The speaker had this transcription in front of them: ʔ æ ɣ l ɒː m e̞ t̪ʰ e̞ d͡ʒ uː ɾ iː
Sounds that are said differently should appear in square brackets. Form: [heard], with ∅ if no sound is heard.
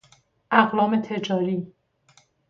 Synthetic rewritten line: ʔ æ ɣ l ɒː m e̞ t̪ʰ e̞ d͡ʒ [ɒː] ɾ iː